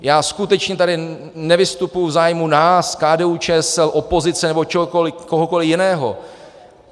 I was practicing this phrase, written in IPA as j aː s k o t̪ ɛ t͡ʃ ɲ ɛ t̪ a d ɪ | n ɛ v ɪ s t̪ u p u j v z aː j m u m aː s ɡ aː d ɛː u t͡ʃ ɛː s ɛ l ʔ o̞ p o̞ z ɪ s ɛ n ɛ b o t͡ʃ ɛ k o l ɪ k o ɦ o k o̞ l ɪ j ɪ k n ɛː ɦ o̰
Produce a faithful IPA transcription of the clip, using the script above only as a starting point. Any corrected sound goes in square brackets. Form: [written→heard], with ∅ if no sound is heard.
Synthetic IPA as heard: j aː s k [o→u] t̪ ɛ t͡ʃ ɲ ɛ t̪ a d ɪ | n ɛ v ɪ s t̪ u p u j v z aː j m u [m→n] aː s [ɡ→k] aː d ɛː u t͡ʃ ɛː s ɛ l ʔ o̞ p o̞ z ɪ [s→t͡s] ɛ n ɛ b o t͡ʃ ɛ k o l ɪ k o ɦ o k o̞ l ɪ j ɪ [k→∅] n ɛː ɦ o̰